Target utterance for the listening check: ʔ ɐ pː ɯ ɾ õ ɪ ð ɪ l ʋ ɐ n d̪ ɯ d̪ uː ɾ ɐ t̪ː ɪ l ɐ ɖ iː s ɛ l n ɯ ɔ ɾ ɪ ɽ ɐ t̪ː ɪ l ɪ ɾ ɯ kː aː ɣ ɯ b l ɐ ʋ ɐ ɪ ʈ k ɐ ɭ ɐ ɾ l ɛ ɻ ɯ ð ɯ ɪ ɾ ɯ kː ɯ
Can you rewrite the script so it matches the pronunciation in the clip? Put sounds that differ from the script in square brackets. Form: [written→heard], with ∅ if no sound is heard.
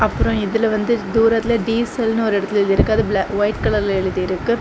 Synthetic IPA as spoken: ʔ ɐ pː ɯ ɾ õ ɪ ð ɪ l ʋ ɐ n d̪ ɯ d̪ uː ɾ ɐ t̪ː ɪ l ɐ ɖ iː s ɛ l n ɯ ɔ ɾ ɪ ɽ ɐ t̪ː ɪ l ɪ ɾ ɯ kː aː [ɣ→ð] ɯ b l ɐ ʋ ɐ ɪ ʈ k ɐ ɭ ɐ ɾ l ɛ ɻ ɯ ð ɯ ɪ ɾ ɯ kː ɯ

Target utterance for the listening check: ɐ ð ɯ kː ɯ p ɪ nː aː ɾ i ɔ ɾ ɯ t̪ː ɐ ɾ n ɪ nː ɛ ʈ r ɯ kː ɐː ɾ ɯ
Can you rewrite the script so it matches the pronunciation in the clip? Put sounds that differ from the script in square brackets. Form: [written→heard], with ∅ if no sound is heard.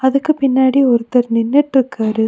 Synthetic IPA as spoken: ɐ ð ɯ kː ɯ p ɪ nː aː [ɾ→ɽ] i ɔ ɾ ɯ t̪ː ɐ ɾ n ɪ nː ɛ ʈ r ɯ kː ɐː ɾ ɯ

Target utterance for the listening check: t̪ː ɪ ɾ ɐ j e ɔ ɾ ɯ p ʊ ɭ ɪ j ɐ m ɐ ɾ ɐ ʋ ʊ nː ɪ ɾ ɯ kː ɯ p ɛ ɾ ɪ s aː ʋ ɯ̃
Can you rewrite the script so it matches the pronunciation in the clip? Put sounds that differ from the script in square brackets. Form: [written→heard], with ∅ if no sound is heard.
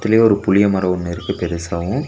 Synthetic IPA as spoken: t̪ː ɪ [ɾ→l] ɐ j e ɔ ɾ ɯ p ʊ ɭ ɪ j ɐ m ɐ ɾ ɐ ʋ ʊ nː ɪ ɾ ɯ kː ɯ p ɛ ɾ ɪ s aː ʋ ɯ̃

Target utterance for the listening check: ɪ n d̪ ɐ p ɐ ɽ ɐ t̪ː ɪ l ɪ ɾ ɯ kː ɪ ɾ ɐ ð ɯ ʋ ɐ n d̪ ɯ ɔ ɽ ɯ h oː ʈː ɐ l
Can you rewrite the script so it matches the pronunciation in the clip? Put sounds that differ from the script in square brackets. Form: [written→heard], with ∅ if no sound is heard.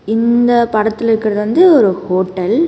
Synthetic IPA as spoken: ɪ n d̪ ɐ p ɐ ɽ ɐ t̪ː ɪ l ɪ ɾ ɯ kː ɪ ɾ ɐ ð ɯ ʋ ɐ n d̪ ɯ ɔ [ɽ→ɾ] ɯ h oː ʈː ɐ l

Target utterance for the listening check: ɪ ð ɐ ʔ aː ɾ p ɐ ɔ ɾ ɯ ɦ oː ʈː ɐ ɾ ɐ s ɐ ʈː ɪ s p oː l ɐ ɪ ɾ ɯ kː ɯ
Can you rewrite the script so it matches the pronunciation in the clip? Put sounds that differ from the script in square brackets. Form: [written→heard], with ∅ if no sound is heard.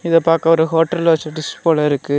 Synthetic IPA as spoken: ɪ ð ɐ [ʔ→p] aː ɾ [p→k] ɐ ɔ ɾ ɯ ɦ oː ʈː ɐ [ɾ→l] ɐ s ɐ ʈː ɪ s p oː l ɐ ɪ ɾ ɯ kː ɯ

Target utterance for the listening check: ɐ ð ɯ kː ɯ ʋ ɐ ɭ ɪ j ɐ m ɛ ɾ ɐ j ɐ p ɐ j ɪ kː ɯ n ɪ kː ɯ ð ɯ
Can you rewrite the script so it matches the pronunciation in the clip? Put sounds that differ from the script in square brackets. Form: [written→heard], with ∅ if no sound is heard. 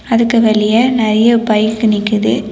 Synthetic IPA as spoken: ɐ ð ɯ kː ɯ ʋ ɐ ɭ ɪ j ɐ [m→n] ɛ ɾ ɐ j ɐ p ɐ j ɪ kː ɯ n ɪ kː ɯ ð ɯ

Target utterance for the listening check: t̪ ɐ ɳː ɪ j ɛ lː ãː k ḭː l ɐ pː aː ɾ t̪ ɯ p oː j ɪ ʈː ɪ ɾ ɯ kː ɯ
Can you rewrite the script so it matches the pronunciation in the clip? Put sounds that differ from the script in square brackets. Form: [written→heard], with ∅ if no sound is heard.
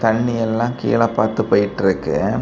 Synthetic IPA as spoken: t̪ ɐ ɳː ɪ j ɛ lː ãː k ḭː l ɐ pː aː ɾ t̪ ɯ p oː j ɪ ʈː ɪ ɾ ɯ kː ɯ

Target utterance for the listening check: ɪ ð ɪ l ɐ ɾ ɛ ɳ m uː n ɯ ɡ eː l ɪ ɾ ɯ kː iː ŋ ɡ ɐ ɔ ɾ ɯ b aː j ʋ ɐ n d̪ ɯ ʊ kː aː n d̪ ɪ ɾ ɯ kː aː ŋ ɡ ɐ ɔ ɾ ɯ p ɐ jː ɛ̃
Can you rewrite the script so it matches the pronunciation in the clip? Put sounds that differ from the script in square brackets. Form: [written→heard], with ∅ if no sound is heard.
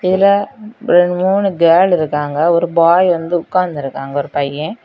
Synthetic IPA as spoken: ɪ ð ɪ l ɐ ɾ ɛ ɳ m uː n ɯ ɡ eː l ɪ ɾ ɯ kː [iː→aː] ŋ ɡ ɐ ɔ ɾ ɯ b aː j ʋ ɐ n d̪ ɯ ʊ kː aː n d̪ ɪ ɾ ɯ kː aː ŋ ɡ ɐ ɔ ɾ ɯ p ɐ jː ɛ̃

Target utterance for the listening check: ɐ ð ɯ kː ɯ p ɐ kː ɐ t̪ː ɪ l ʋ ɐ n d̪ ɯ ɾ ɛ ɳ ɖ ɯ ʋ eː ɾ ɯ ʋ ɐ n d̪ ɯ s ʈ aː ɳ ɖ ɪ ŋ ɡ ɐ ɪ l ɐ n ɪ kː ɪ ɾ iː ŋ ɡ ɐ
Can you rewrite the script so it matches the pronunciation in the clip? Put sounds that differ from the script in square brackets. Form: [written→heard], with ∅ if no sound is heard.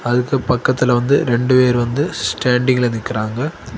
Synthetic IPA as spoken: ɐ ð ɯ kː ɯ p ɐ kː ɐ t̪ː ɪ l ʋ ɐ n d̪ ɯ ɾ ɛ ɳ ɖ ɯ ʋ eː ɾ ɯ ʋ ɐ n d̪ ɯ s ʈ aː ɳ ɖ ɪ ŋ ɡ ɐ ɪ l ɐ n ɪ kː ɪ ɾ [iː→aː] ŋ ɡ ɐ

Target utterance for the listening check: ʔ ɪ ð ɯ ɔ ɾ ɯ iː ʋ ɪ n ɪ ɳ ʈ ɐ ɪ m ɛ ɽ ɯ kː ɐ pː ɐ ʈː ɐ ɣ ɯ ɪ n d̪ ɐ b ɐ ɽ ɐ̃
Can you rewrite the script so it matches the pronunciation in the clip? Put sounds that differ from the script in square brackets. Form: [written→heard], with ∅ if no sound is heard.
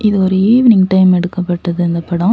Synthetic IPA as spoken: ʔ ɪ ð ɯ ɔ ɾ ɯ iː ʋ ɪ n ɪ [ɳ→ŋ] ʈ ɐ ɪ m ɛ ɽ ɯ kː ɐ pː ɐ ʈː ɐ [ɣ→ð] ɯ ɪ n d̪ ɐ [b→p] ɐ ɽ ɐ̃

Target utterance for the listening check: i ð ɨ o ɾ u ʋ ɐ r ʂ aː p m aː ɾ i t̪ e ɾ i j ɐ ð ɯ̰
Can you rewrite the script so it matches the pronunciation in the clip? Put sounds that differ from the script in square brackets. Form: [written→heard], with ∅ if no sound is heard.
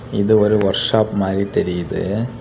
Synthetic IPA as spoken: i ð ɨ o ɾ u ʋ ɐ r ʂ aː p m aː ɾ i t̪ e ɾ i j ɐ ð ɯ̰

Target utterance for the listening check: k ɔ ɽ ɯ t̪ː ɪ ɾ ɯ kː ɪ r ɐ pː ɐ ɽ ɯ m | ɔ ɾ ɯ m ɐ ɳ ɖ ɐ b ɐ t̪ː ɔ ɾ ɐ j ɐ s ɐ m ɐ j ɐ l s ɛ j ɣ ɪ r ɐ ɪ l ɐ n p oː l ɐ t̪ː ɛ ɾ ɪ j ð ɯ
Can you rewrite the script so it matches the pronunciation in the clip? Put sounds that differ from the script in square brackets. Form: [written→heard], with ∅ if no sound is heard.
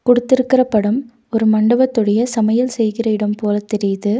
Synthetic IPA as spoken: k ɔ ɽ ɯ t̪ː ɪ ɾ ɯ kː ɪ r ɐ pː ɐ ɽ ɯ m | ɔ ɾ ɯ m ɐ ɳ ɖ ɐ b ɐ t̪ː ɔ [ɾ→ɽ] ɐ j ɐ s ɐ m ɐ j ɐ l s ɛ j ɣ ɪ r ɐ ɪ [l→ɽ] ɐ [n→m] p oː l ɐ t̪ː ɛ ɾ ɪ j ð ɯ

